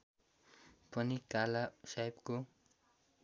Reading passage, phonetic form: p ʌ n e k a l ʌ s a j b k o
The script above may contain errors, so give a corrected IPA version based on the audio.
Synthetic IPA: p ʌ n i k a l a s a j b k o